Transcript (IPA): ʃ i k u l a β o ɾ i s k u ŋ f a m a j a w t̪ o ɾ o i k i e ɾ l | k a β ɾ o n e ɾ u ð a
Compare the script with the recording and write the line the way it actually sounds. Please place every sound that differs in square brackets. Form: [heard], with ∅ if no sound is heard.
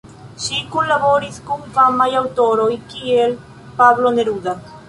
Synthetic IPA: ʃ i k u l a β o ɾ i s k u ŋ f a m a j a w t̪ o ɾ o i k i e [∅] l | [p] a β [l] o n e ɾ u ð a